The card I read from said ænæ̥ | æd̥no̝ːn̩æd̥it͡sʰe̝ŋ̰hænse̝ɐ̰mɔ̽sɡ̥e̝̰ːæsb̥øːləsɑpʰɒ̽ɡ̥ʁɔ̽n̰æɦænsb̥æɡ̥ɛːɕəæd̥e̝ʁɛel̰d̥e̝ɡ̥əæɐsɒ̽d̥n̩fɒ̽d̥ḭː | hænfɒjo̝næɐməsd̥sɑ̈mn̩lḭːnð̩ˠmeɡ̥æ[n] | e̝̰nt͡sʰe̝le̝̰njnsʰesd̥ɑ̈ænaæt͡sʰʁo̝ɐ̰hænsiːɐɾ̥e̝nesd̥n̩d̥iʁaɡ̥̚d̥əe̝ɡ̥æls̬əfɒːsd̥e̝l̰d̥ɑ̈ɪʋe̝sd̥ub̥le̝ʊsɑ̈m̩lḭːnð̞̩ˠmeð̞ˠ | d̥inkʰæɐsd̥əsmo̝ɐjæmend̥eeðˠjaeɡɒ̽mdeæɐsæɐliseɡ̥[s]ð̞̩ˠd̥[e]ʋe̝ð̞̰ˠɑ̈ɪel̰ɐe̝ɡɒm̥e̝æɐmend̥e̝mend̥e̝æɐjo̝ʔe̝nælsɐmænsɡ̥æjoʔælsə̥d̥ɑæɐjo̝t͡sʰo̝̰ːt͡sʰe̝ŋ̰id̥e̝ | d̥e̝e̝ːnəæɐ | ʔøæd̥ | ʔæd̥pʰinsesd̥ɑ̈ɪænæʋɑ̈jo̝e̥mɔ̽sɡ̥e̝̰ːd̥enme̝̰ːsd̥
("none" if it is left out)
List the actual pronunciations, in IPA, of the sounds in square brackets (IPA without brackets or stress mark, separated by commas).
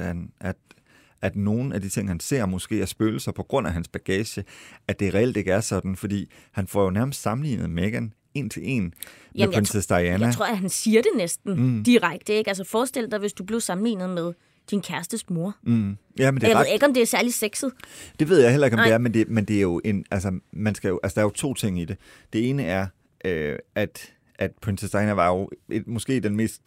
n, s, e